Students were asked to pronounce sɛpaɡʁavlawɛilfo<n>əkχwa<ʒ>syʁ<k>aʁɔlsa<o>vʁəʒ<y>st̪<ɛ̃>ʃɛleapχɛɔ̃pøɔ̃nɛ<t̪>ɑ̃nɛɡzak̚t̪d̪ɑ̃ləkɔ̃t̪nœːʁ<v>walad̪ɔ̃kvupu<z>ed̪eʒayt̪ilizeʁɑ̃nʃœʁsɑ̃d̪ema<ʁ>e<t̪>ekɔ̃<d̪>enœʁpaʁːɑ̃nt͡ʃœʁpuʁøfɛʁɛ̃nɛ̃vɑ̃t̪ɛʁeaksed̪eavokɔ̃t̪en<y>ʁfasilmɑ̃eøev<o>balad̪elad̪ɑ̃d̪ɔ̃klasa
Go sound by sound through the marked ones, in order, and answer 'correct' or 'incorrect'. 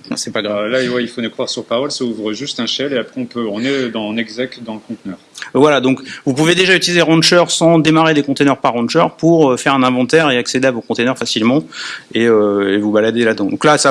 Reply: correct, incorrect: ʁ, incorrect: p, incorrect: u, correct, correct, incorrect: d̪, correct, incorrect: v, correct, incorrect: d̪, incorrect: t̪, incorrect: œ, incorrect: u

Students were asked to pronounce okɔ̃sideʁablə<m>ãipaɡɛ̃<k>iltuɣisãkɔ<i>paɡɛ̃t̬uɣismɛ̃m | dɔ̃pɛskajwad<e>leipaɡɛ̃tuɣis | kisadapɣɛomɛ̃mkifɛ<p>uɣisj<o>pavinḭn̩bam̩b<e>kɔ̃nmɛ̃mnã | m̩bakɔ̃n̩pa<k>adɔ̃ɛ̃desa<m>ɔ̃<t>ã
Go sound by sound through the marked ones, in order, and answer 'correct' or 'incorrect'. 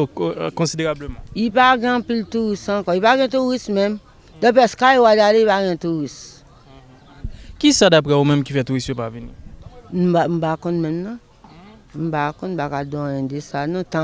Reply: correct, incorrect: p, correct, incorrect: a, incorrect: t, correct, incorrect: a, correct, incorrect: n, correct

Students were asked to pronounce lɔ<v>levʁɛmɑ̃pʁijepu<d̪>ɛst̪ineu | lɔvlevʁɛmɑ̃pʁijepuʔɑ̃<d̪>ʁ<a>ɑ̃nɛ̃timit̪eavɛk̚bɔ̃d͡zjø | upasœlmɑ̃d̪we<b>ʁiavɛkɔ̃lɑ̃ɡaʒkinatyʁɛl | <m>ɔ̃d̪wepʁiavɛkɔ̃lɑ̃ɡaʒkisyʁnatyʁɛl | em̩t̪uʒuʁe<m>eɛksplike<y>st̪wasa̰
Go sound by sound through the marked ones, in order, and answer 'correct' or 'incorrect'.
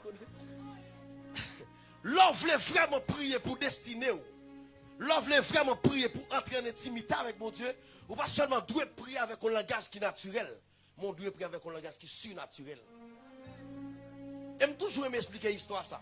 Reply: correct, correct, incorrect: t̪, incorrect: e, incorrect: p, correct, correct, incorrect: i

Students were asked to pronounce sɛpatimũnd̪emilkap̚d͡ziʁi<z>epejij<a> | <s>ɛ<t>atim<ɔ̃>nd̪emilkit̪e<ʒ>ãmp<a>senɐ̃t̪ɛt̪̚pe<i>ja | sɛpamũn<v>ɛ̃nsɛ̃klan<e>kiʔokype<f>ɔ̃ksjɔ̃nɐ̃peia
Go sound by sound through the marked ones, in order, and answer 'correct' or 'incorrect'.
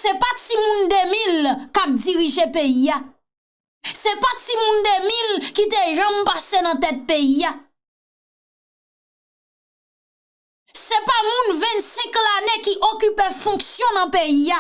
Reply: incorrect: ʒ, correct, correct, incorrect: p, incorrect: ũ, correct, correct, correct, correct, correct, correct

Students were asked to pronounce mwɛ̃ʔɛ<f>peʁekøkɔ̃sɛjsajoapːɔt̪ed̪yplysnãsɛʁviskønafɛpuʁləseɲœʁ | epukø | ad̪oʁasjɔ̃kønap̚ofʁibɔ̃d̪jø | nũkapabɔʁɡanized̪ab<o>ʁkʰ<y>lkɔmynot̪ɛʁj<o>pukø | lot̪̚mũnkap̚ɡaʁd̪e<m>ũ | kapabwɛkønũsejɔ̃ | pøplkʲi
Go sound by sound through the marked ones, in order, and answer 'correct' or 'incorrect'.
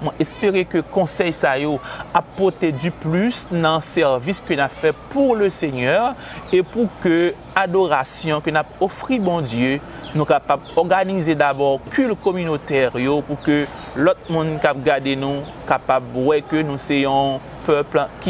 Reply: incorrect: s, incorrect: ɔ, correct, correct, incorrect: n

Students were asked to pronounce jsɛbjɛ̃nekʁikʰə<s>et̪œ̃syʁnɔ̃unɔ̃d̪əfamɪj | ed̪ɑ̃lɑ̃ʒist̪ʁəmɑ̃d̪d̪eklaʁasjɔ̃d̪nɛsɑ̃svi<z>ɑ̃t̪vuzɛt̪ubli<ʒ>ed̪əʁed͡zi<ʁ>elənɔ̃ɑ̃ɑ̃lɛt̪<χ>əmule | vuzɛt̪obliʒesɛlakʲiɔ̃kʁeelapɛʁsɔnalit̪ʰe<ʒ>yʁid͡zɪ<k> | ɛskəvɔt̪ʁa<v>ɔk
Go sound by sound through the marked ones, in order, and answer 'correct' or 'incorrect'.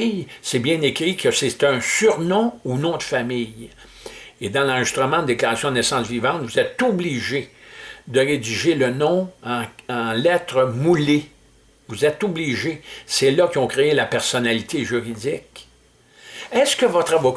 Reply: correct, incorrect: v, correct, incorrect: ʒ, incorrect: ʁ, correct, correct, correct

